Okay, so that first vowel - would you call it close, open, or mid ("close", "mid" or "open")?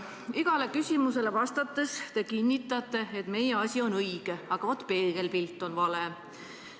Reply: close